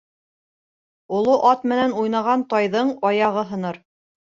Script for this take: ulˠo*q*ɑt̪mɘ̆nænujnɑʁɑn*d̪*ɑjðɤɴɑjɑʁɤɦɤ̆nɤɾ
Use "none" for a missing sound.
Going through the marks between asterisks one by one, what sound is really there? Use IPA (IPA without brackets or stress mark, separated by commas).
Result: ʔ, t̪